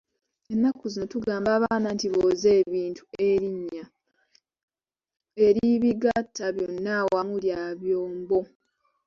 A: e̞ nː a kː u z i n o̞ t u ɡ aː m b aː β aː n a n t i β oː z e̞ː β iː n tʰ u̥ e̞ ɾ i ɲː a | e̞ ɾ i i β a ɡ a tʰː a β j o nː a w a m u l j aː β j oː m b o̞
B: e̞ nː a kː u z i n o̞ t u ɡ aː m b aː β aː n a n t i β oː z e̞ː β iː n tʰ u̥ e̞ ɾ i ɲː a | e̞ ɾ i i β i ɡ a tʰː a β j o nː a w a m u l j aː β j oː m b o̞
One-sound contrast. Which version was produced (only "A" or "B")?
B